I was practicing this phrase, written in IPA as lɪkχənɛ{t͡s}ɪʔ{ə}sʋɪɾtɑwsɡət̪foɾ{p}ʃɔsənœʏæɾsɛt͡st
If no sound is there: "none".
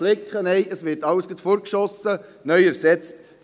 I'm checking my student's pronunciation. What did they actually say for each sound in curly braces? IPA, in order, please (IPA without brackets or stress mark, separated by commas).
none, ə, k